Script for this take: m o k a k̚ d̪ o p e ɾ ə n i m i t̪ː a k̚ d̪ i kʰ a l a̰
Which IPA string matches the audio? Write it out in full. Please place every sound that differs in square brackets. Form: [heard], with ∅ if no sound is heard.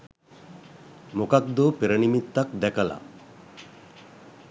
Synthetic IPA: m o k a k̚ d̪ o p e ɾ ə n i m i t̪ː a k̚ d̪ [ɛ] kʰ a l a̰